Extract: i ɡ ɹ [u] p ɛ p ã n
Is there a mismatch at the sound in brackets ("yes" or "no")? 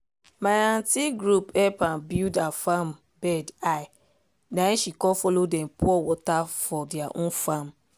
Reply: no